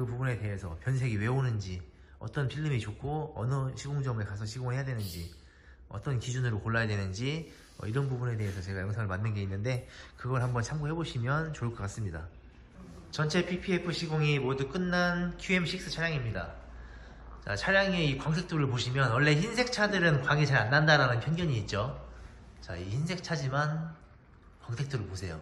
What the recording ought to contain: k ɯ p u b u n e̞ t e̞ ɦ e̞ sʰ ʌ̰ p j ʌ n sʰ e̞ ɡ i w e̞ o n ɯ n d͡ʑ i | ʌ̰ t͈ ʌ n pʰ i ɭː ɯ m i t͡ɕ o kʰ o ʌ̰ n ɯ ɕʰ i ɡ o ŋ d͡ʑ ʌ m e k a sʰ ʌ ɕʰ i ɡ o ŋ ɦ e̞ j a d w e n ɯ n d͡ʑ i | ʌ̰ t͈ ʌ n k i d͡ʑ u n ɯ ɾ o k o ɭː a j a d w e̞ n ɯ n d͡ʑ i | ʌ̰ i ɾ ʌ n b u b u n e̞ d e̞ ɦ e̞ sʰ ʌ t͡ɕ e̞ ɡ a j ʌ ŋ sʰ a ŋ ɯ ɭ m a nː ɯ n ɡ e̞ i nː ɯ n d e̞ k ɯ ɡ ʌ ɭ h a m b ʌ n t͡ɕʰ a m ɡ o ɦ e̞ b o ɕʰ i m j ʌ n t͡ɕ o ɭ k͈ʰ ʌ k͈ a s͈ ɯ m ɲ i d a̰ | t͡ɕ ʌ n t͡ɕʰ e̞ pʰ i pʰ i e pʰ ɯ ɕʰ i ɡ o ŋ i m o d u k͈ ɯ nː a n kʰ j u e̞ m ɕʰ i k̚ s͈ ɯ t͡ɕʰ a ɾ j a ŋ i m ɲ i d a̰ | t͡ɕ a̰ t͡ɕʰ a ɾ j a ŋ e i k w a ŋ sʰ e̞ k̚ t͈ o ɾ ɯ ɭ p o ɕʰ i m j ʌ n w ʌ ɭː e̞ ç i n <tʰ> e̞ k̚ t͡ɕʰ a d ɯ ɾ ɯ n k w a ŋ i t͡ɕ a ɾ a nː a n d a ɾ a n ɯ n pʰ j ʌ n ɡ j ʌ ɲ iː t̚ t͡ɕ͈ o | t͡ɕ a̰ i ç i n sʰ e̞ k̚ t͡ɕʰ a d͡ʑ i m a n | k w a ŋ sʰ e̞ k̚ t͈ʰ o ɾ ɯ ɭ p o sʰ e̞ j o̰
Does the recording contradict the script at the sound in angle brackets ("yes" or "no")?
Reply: yes